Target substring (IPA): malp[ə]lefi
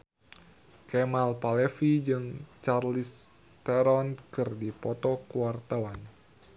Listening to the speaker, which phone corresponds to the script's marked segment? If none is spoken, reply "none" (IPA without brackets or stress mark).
a